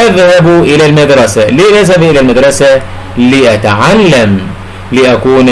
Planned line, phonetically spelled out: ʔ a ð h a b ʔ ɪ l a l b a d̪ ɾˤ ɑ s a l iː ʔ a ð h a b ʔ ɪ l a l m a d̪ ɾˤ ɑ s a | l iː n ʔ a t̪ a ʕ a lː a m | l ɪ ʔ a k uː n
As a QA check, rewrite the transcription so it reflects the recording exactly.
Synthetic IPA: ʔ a ð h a b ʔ ɪ l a l m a d̪ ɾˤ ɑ s a l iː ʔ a ð h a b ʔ ɪ l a l m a d̪ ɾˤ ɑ s a | l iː ʔ a t̪ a ʕ a lː a m | l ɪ ʔ a k uː n